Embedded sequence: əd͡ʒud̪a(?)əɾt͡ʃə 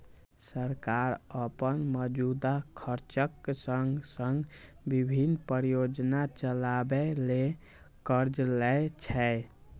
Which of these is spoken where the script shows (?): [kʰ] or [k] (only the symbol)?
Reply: kʰ